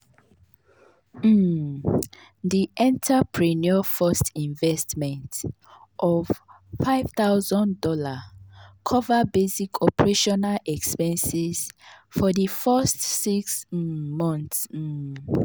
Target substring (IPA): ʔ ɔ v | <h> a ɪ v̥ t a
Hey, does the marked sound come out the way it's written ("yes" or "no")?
no